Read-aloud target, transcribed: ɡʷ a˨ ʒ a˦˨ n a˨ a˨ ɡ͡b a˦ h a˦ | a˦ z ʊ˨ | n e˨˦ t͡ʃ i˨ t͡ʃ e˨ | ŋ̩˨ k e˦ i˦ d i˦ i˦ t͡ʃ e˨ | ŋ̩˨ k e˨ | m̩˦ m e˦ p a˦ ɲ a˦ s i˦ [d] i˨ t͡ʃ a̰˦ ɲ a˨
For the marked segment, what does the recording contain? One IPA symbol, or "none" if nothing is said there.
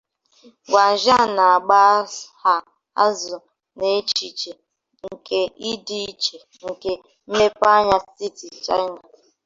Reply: t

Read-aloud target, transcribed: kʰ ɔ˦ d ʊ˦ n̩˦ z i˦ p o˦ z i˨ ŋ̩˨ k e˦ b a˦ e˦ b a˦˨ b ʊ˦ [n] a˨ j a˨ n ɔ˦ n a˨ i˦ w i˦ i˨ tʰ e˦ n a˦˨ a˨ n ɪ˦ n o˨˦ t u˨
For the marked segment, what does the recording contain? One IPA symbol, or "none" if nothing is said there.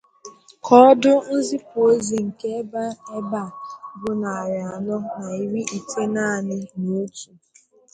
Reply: n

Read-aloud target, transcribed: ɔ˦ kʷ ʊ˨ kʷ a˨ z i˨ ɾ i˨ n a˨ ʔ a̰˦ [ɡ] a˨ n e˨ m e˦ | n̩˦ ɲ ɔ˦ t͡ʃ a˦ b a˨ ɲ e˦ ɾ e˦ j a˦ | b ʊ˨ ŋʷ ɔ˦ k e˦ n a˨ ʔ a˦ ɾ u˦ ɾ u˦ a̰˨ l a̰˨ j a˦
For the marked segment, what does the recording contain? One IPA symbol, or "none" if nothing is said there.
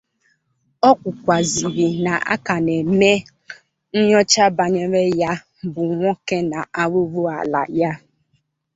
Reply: k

